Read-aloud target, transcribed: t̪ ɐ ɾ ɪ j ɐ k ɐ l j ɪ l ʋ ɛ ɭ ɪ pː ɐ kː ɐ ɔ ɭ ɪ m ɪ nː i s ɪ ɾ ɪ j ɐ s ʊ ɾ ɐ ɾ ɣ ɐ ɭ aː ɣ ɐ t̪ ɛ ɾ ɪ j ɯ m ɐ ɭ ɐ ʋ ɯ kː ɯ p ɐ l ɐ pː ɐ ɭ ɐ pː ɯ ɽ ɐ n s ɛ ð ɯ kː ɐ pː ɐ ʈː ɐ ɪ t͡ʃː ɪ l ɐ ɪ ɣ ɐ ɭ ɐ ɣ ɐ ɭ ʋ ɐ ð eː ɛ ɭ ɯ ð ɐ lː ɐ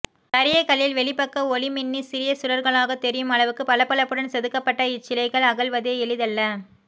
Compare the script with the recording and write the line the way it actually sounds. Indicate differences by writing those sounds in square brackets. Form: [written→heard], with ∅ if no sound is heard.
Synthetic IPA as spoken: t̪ ɐ ɾ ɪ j ɐ k ɐ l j ɪ l ʋ ɛ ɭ ɪ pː ɐ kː ɐ ɔ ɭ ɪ m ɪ nː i s ɪ ɾ ɪ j ɐ s ʊ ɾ ɐ ɾ ɣ ɐ ɭ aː ɣ ɐ t̪ ɛ ɾ ɪ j ɯ m ɐ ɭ ɐ ʋ ɯ kː ɯ p ɐ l ɐ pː ɐ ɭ ɐ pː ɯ ɽ ɐ n s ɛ ð ɯ kː ɐ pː ɐ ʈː ɐ ɪ t͡ʃː ɪ l ɐ ɪ ɣ ɐ ɭ ɐ ɣ ɐ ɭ ʋ ɐ ð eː ɛ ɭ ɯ ð ɐ lː ɐ